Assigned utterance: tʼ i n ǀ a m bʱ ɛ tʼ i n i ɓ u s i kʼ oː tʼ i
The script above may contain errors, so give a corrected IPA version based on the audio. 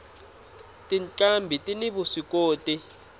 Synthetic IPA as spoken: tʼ i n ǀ a m bʱ i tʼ i n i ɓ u s i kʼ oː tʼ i

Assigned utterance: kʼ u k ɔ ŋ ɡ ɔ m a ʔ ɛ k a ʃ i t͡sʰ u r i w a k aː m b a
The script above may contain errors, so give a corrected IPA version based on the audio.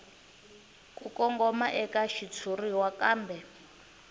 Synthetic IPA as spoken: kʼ u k ɔ ŋ ɡ ɔ m a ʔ ɛ k a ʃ i t͡sʰ u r i w a k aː m b ɛ

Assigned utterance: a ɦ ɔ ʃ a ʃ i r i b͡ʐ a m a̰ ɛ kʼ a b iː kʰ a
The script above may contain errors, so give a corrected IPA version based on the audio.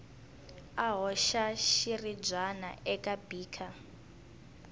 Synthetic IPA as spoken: a ɦ ɔ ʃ a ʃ i r i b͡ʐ a n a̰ ɛ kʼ a b iː kʰ a

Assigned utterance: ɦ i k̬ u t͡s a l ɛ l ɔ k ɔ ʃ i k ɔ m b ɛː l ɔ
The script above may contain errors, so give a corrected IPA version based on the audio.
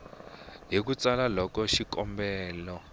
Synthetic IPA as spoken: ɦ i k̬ u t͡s a l a l ɔ k ɔ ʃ i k ɔ m b ɛː l ɔ

